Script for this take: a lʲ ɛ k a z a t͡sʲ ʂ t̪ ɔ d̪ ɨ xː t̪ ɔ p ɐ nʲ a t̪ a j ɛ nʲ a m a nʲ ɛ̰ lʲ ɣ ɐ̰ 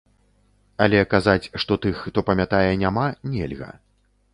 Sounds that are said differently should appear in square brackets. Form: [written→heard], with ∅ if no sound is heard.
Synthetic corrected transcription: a lʲ ɛ k a z a t͡sʲ ʂ t̪ ɔ [d̪→t̪] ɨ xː t̪ ɔ p ɐ [nʲ→mʲ] a t̪ a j ɛ nʲ a m a nʲ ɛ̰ lʲ ɣ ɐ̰